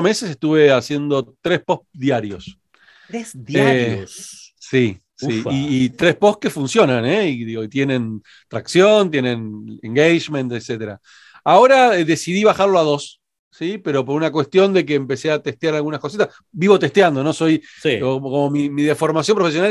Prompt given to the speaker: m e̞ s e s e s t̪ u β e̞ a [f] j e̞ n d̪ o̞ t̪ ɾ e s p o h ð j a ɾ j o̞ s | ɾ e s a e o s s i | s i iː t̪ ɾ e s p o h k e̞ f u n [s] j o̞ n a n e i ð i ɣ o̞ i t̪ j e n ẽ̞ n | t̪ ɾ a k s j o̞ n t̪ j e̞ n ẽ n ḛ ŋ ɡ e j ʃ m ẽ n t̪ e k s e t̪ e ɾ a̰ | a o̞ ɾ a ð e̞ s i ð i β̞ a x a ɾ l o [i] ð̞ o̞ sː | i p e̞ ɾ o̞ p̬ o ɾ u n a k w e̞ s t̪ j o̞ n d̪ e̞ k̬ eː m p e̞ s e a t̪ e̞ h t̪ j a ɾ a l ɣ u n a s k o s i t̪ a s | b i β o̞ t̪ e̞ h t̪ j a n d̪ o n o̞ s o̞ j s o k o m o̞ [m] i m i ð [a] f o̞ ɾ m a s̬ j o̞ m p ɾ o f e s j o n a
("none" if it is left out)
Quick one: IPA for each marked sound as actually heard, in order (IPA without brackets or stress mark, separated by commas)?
s, s, a, m, e